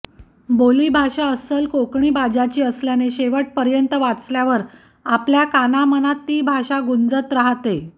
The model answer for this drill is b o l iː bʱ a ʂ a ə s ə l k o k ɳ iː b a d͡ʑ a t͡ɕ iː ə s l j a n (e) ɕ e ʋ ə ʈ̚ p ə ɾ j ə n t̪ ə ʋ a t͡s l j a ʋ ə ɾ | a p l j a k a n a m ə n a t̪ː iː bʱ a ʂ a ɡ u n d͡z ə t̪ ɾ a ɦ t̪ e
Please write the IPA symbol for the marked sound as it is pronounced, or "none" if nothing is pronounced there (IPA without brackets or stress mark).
e